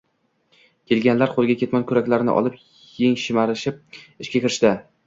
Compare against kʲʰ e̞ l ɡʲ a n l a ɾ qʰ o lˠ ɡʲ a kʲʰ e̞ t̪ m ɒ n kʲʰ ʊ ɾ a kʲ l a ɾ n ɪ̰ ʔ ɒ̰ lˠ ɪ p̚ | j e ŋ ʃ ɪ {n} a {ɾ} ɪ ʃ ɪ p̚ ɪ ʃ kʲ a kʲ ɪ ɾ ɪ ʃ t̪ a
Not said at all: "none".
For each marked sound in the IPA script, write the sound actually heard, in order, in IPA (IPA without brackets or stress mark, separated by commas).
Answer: m, ɾ